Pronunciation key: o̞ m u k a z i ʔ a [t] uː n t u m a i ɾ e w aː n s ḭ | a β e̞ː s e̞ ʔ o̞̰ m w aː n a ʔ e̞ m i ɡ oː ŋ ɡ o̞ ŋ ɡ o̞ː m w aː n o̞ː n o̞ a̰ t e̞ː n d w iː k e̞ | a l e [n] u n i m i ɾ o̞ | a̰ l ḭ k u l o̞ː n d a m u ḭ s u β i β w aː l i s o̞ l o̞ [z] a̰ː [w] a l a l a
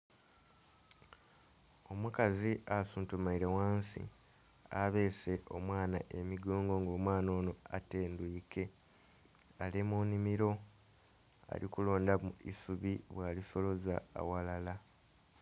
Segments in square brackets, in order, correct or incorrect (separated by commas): incorrect, incorrect, correct, correct